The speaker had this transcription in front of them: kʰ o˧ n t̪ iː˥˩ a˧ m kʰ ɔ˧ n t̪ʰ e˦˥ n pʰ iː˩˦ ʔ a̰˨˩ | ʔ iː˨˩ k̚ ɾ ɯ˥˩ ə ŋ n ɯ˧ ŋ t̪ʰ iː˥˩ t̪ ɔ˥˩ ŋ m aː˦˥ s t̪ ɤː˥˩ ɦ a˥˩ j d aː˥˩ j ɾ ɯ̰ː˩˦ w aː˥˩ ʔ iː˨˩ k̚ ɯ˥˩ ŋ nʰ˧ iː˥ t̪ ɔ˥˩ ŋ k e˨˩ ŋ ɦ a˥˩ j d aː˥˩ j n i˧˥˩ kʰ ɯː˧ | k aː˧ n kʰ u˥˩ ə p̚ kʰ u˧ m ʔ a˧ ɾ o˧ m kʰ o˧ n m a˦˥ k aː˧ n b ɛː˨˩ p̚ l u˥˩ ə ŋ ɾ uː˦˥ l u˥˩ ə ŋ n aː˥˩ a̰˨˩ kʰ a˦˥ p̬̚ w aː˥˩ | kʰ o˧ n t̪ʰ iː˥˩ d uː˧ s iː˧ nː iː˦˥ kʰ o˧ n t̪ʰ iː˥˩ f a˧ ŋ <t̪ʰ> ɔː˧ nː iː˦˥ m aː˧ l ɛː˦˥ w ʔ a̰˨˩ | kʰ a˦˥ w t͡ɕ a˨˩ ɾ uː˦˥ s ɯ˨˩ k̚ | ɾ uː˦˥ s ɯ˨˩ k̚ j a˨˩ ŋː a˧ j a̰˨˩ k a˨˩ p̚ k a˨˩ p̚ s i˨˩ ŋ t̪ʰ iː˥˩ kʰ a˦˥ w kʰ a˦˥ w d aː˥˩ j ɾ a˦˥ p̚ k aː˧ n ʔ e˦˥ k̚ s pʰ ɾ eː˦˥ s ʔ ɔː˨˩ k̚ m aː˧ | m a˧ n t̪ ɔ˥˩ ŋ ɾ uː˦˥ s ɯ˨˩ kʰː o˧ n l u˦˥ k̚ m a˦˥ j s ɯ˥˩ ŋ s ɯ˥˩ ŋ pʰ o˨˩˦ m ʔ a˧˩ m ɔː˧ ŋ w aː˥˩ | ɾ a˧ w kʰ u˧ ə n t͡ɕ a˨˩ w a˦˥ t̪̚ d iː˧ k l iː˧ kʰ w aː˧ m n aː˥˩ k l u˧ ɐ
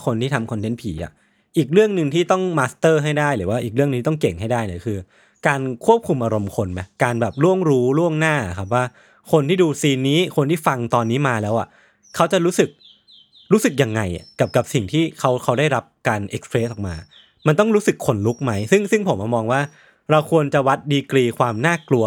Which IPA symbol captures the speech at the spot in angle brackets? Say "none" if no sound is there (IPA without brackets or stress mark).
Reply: t̪